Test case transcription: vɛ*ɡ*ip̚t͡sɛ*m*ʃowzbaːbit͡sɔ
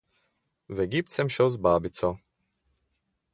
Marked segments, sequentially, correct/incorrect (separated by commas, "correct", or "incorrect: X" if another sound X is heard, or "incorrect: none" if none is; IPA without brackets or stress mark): correct, correct